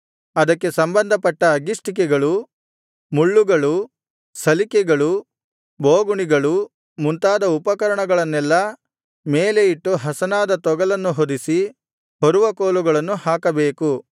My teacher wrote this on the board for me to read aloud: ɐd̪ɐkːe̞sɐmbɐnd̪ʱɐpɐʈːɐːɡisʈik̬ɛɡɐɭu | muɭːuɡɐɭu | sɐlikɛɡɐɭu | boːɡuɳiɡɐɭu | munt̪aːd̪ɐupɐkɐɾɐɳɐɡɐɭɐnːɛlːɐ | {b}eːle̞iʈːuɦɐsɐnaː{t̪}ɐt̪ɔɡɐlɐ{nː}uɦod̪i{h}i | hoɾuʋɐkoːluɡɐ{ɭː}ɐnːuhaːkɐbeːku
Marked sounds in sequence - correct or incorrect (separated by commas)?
incorrect, incorrect, correct, incorrect, incorrect